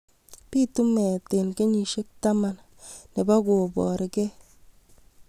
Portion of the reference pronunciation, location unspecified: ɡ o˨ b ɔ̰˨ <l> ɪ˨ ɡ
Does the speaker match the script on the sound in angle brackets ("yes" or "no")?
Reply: no